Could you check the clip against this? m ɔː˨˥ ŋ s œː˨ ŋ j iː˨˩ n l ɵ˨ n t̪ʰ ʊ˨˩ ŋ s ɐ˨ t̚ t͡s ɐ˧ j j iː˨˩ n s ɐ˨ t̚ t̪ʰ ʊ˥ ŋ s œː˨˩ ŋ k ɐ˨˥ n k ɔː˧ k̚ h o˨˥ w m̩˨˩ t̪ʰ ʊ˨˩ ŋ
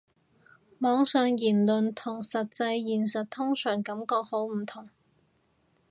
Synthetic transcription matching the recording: m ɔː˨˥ ŋ s œː˨ ŋ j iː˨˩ n l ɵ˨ n t̪ʰ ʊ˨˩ ŋ s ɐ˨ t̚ t͡s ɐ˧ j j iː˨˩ n s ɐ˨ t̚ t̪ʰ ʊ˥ ŋ s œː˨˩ ŋ k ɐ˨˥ m k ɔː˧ k̚ h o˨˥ w m̩˨˩ t̪ʰ ʊ˨˩ ŋ

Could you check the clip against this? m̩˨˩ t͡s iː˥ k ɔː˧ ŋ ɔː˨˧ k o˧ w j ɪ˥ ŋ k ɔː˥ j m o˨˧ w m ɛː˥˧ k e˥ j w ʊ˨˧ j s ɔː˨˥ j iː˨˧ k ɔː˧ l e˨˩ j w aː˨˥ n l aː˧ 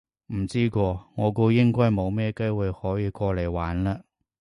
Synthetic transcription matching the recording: m̩˨˩ t͡s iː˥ k ɔː˧ ŋ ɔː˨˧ k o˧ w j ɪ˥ ŋ k ɔː˥ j m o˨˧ w m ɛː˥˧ k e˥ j w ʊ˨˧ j h ɔː˨˥ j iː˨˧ k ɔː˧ l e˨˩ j w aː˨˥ n l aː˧

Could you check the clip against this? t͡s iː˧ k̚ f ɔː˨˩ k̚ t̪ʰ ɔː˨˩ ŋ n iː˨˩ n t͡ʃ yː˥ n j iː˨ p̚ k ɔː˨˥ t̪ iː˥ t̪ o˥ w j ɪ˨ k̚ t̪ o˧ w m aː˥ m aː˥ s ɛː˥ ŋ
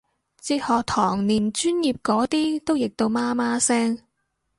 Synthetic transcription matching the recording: t͡s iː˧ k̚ h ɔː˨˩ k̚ t̪ʰ ɔː˨˩ ŋ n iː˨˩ n t͡ʃ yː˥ n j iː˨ p̚ k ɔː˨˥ t̪ iː˥ t̪ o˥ w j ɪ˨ k̚ t̪ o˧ w m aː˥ m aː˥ s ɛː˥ ŋ

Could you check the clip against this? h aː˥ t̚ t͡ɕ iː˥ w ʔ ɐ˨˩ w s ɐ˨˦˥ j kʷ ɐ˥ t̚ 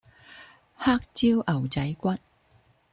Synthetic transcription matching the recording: h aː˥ k̚ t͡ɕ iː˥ w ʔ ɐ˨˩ w t͡s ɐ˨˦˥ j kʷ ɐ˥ t̚

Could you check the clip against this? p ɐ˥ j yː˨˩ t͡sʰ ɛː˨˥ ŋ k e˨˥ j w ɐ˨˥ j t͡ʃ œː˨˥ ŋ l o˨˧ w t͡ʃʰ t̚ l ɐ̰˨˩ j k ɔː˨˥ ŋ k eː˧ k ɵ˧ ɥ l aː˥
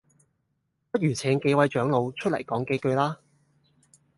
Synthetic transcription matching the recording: p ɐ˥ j yː˨˩ t͡sʰ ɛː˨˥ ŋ k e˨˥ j w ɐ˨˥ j t͡ʃ œː˨˥ ŋ l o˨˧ w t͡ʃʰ t̚ l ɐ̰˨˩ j k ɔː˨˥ ŋ k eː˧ k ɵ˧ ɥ l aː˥

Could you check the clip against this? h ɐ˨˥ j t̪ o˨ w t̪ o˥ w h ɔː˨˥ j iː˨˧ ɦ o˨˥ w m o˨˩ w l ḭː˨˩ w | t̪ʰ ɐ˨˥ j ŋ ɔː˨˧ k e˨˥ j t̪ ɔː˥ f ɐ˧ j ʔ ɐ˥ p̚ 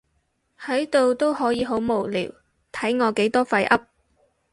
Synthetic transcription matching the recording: h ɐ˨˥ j t̪ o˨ w t̪ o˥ w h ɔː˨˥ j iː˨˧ ɦ o˨˥ w m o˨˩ w l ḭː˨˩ w | t̪ʰ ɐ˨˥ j ŋ ɔː˨˧ k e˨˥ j t̪ ɔː˥ f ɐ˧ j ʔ ɐ˥ p̚

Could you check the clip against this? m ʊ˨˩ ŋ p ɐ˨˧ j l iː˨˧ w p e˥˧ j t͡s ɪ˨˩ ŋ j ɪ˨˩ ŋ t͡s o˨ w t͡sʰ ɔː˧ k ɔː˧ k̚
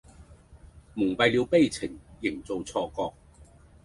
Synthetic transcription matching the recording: m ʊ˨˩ ŋ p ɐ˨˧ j l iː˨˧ w p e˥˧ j t͡sʰ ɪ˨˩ ŋ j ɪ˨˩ ŋ t͡s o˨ w t͡sʰ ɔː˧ k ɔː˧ k̚

